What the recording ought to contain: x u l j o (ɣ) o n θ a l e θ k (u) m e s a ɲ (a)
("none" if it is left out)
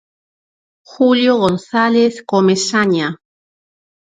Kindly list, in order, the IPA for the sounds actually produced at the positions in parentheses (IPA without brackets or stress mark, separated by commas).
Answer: ɣ, o, a